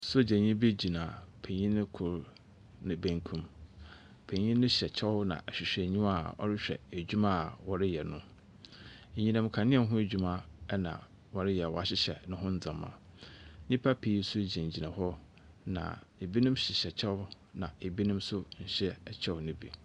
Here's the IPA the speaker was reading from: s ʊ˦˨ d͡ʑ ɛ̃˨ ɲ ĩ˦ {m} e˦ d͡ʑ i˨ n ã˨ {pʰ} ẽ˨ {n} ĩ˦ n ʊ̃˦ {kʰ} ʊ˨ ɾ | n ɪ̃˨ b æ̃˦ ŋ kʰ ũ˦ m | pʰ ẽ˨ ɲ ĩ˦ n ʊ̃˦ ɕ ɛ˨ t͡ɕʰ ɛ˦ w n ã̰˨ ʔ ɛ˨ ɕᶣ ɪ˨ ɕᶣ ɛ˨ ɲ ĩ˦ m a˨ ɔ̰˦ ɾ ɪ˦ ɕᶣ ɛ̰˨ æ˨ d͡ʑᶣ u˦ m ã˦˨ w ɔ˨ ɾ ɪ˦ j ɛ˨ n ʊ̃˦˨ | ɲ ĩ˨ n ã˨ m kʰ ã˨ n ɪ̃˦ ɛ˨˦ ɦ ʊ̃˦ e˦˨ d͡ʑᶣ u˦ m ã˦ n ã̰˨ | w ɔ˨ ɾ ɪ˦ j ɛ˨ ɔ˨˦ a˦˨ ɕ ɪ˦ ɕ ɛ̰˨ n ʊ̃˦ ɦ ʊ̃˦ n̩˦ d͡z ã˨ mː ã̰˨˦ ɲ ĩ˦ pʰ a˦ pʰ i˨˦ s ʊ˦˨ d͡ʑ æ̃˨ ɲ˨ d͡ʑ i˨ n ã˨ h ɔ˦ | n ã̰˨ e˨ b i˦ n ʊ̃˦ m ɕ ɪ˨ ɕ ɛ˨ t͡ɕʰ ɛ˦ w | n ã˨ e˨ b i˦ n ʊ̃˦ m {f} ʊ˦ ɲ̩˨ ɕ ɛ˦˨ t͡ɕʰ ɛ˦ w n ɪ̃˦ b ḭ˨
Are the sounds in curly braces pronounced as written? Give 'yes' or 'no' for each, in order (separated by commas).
no, yes, no, yes, no